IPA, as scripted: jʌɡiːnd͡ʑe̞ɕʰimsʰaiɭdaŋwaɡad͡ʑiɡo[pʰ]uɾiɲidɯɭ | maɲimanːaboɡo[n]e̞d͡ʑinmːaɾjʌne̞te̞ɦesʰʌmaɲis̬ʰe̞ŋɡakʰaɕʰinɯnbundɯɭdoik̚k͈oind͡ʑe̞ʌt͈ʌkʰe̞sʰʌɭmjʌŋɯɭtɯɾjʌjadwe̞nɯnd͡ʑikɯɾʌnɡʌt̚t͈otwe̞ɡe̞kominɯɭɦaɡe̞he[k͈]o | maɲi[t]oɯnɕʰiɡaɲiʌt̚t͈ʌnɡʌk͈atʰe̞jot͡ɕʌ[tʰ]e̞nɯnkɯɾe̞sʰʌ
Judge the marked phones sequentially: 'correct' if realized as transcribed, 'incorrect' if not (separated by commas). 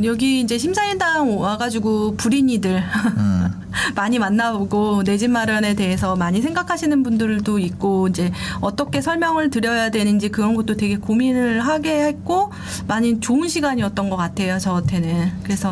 incorrect, correct, correct, incorrect, correct